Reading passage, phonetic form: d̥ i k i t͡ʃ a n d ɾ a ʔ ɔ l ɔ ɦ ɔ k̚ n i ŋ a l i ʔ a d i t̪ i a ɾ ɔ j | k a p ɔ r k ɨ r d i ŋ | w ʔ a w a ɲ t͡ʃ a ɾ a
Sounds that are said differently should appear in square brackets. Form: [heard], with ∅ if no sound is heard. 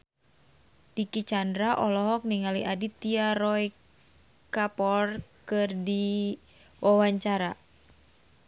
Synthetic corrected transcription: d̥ i k i t͡ʃ a n d ɾ a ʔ ɔ l ɔ ɦ ɔ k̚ n i ŋ a l i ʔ a d i t̪ i a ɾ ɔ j | k a p ɔ r k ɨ r d i [∅] | w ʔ a w a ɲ t͡ʃ a ɾ a